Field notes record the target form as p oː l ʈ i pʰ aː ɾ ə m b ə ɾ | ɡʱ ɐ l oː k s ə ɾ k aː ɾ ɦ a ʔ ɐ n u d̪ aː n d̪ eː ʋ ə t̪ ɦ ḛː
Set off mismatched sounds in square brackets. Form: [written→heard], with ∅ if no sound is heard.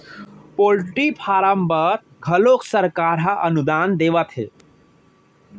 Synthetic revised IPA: p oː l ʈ i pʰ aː ɾ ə m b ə ɾ | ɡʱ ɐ l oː k s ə ɾ k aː ɾ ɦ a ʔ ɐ n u d̪ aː n d̪ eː ʋ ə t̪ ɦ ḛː